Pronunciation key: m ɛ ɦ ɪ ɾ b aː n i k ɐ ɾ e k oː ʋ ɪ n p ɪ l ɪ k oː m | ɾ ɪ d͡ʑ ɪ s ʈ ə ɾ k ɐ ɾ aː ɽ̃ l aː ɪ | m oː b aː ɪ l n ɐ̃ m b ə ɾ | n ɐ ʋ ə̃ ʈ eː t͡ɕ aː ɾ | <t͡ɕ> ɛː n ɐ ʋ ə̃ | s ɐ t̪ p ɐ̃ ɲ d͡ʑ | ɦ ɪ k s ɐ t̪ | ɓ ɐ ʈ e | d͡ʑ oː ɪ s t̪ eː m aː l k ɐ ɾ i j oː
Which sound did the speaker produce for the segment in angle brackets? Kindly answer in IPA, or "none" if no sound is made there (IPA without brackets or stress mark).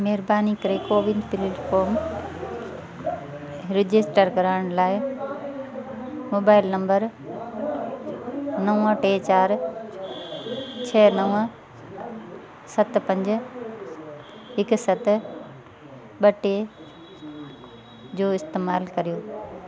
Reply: t͡ɕʰ